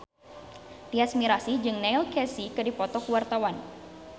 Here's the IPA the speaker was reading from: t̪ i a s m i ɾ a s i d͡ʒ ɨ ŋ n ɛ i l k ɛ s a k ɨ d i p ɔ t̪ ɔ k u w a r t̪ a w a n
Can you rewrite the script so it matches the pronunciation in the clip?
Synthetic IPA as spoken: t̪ i a s m i ɾ a s i d͡ʒ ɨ ŋ n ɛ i l k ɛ s i k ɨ d i p ɔ t̪ ɔ k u w a r t̪ a w a n